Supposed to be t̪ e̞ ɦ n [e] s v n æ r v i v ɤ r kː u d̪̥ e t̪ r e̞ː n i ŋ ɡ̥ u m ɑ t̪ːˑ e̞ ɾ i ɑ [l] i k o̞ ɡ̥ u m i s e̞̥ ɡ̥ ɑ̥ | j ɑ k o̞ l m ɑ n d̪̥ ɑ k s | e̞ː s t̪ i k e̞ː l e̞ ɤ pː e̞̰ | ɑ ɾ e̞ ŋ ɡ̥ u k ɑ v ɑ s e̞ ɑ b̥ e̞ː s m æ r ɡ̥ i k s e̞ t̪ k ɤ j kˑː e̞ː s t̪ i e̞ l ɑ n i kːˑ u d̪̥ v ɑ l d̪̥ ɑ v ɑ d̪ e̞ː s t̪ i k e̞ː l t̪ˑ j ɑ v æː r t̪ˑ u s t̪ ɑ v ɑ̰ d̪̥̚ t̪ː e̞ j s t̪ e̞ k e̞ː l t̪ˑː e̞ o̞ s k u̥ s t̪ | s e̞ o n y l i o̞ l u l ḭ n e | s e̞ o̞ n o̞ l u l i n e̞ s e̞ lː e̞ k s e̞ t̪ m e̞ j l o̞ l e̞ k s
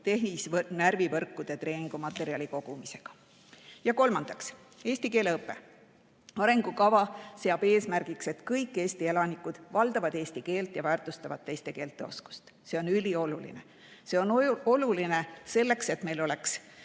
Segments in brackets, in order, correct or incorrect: incorrect, correct

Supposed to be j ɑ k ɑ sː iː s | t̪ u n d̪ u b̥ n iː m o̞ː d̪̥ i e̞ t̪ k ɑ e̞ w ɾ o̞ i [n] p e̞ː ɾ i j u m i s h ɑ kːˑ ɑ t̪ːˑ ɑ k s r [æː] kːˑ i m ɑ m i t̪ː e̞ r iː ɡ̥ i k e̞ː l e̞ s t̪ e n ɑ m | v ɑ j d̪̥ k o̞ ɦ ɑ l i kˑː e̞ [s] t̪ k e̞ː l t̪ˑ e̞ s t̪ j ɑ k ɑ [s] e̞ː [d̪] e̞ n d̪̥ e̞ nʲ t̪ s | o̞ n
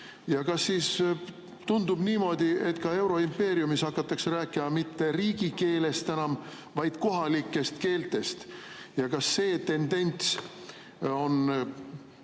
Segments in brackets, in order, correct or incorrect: incorrect, correct, correct, incorrect, incorrect

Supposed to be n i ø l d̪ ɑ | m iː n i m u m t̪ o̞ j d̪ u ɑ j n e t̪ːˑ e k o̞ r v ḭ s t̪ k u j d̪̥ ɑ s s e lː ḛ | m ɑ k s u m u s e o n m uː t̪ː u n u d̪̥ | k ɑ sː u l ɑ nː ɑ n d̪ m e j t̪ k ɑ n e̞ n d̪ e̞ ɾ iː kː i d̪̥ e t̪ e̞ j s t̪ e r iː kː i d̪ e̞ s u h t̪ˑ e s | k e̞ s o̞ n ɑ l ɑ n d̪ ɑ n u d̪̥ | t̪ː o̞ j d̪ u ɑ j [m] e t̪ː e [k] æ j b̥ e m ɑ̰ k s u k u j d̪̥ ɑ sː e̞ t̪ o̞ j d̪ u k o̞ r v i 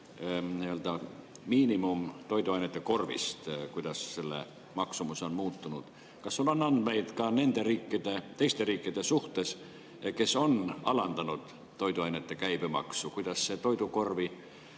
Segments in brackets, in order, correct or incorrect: incorrect, correct

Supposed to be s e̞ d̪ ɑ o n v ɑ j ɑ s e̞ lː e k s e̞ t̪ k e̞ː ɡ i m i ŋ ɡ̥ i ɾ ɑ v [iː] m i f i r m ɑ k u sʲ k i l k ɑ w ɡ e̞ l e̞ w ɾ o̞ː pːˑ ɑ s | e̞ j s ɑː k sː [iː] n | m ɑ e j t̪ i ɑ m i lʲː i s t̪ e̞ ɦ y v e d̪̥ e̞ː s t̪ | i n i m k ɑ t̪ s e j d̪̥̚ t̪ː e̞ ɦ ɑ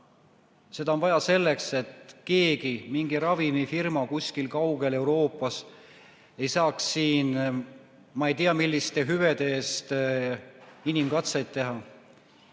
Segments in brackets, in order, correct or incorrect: incorrect, correct

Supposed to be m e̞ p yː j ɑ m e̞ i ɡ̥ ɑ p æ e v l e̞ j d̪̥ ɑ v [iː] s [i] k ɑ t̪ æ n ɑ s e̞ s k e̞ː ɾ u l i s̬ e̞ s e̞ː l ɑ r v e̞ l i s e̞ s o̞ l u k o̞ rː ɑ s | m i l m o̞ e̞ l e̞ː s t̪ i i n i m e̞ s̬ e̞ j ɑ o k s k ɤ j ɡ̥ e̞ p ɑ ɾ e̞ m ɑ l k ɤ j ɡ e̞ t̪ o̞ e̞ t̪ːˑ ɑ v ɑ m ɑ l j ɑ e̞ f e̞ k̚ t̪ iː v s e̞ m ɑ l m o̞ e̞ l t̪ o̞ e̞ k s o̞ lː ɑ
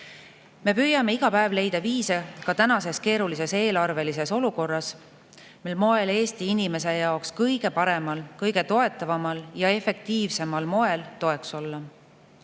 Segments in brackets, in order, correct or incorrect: correct, incorrect

